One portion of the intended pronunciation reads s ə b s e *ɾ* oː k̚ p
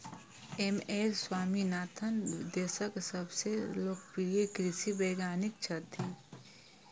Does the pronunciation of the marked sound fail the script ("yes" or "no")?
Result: yes